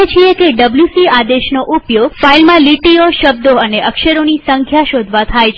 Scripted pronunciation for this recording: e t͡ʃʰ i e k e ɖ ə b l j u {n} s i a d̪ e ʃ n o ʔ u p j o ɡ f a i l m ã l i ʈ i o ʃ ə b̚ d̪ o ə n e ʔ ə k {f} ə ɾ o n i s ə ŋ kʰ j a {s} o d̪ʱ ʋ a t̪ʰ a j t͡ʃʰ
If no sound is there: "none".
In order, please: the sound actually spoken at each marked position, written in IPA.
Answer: none, ʃ, ʃ

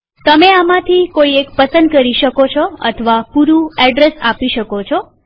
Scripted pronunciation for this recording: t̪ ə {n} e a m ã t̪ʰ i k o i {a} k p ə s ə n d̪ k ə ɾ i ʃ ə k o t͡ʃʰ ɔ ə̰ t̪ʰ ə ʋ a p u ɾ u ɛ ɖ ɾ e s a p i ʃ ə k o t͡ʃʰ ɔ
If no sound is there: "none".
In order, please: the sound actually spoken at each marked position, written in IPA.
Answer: m, e

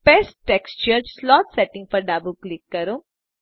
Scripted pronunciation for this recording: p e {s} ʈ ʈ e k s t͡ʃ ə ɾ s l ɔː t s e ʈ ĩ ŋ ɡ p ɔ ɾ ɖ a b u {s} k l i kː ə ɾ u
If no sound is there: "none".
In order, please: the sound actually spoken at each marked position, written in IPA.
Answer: s, none

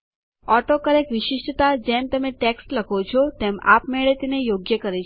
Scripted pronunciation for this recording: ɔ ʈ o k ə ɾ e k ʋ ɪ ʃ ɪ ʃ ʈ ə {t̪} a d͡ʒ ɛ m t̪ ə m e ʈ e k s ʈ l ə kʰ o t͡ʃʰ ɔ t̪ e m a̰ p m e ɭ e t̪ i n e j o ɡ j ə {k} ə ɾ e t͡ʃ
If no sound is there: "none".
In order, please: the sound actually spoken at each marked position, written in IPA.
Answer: t̪, k

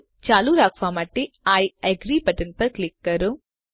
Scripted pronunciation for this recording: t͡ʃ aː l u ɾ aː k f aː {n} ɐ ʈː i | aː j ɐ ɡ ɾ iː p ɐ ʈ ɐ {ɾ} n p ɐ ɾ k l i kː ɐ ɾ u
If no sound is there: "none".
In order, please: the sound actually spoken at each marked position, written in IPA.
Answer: m, none

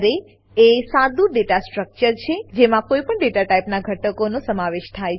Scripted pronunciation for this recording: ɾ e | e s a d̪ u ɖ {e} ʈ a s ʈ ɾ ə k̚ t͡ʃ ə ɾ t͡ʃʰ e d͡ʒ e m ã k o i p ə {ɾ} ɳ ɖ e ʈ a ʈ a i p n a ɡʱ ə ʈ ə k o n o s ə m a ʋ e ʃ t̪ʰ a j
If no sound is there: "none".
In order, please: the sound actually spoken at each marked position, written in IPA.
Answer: e, none

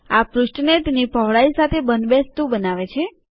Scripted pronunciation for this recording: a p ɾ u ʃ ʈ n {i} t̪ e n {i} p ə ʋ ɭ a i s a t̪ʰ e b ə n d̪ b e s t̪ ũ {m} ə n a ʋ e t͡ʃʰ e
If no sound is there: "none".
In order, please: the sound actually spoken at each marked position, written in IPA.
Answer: e, i, b

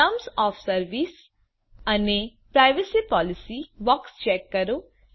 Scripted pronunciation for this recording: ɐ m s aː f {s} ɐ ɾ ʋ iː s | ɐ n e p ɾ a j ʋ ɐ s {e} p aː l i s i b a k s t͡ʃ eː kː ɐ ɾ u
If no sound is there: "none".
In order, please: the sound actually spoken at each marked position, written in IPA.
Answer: s, i

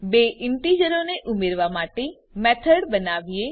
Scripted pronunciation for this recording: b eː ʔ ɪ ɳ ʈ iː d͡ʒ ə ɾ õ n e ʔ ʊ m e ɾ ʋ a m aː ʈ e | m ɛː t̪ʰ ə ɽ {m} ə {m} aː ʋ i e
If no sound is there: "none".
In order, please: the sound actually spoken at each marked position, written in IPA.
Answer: b, n

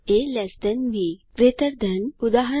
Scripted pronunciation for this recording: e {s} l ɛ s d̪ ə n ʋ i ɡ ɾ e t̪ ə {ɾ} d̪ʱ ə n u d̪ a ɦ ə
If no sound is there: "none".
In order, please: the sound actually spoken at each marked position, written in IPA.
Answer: none, ɾ

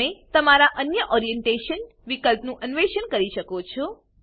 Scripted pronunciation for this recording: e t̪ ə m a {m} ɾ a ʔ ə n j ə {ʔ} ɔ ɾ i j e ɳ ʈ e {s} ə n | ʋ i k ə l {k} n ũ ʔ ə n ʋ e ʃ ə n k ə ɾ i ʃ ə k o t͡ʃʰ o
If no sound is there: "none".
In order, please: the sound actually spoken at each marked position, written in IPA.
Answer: none, ʔ, ʃ, p

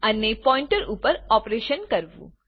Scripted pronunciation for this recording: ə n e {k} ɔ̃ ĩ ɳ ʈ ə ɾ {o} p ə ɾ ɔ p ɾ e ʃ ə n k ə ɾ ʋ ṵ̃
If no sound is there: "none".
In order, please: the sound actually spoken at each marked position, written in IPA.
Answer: p, u

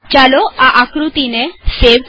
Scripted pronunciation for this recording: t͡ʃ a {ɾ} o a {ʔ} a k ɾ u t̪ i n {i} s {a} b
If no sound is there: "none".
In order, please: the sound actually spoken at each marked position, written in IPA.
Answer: l, ʔ, e, e

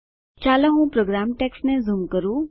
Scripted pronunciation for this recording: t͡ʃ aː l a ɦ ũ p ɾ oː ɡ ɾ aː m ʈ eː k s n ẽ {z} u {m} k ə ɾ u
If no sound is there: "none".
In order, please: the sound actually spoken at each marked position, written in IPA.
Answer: z, m

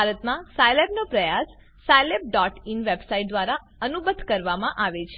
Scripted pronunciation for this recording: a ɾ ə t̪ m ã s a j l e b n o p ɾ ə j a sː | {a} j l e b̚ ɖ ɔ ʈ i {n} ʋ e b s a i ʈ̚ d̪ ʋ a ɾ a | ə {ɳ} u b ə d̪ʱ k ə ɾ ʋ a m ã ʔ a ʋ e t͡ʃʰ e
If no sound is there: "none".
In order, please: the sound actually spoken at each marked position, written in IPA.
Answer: a, n, n

